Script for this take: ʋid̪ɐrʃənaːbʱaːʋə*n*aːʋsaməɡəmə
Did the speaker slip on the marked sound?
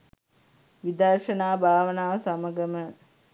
no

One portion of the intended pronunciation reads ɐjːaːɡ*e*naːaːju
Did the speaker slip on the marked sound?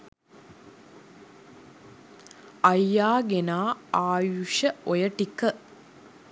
no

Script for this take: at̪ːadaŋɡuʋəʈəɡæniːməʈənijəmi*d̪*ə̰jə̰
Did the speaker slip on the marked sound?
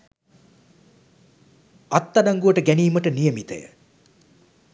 yes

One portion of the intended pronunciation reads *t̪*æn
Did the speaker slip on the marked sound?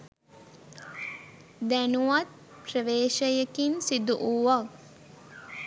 yes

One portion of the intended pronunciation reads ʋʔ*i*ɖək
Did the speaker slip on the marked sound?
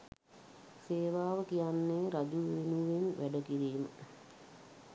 yes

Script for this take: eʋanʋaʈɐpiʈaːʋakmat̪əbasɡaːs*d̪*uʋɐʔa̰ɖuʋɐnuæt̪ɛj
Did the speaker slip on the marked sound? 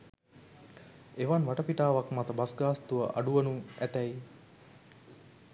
yes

